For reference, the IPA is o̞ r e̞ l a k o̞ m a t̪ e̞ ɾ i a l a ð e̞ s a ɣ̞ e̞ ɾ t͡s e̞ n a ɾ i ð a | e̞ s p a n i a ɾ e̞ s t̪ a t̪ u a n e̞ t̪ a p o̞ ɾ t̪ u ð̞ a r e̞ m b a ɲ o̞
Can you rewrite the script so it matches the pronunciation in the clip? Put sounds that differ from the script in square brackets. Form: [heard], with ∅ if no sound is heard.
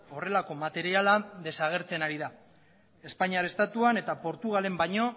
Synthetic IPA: o̞ r e̞ l a k o̞ m a t̪ e̞ ɾ i a l a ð e̞ s a ɣ̞ e̞ ɾ t͡s e̞ n a ɾ i ð a | e̞ s p a [ɲ] i a ɾ e̞ s t̪ a t̪ u a n e̞ t̪ a p o̞ ɾ t̪ u [ɣ̞] a [l] e̞ m b a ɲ o̞